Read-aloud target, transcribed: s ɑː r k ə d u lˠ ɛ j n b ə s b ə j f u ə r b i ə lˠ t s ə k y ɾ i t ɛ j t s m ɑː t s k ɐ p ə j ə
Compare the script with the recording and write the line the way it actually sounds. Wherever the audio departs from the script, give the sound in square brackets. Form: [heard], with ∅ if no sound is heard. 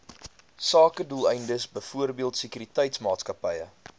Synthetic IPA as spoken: s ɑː [∅] k ə d u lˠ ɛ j n [d] ə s b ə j f u ə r b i ə lˠ t s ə k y ɾ i t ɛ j t s m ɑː t s k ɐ p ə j ə